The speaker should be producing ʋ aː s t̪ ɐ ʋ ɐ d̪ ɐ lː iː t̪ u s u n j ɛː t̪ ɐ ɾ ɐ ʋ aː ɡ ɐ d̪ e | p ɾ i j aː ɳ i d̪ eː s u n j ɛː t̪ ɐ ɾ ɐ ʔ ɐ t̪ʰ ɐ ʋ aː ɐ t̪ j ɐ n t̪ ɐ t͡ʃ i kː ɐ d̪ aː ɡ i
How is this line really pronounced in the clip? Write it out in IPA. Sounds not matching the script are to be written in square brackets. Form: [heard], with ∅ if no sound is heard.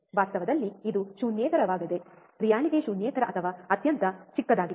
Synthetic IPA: ʋ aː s t̪ ɐ ʋ ɐ d̪ ɐ lː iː [d̪] u [ʃ] u n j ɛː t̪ ɐ ɾ ɐ ʋ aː ɡ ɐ d̪ e | p ɾ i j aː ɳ i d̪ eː [ʃ] u n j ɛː t̪ ɐ ɾ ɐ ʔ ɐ t̪ʰ ɐ ʋ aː ɐ t̪ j ɐ n t̪ ɐ t͡ʃ i kː ɐ d̪ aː ɡ i